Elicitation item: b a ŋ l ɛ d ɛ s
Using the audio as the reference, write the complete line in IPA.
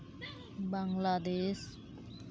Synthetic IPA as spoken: b a ŋ l a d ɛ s